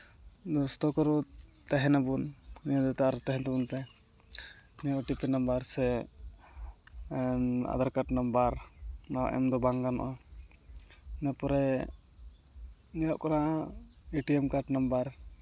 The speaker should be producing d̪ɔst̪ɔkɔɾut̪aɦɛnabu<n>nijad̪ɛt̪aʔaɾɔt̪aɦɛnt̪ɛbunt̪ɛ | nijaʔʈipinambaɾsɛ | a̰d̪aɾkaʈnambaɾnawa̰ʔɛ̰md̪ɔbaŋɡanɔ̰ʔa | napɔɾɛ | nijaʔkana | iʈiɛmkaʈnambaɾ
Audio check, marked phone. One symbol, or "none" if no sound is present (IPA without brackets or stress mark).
n